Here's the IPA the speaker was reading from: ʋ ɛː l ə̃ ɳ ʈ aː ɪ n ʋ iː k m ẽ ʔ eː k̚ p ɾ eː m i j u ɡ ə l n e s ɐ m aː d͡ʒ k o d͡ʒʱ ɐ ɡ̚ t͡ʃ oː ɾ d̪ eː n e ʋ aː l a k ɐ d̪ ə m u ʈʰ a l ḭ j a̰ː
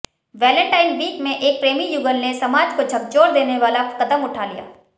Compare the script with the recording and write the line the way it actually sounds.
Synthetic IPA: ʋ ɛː l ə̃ ɳ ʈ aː ɪ n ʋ iː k m ẽ ʔ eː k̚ p ɾ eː m i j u ɡ ə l n e s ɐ m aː d͡ʒ k o d͡ʒʱ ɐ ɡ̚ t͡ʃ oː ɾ d̪ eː n e ʋ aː l a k ɐ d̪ ə m ʊ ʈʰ a l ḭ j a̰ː